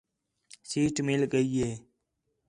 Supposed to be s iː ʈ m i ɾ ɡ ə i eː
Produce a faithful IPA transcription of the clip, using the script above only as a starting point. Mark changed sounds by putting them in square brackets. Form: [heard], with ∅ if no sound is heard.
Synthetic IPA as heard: s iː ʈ m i [l] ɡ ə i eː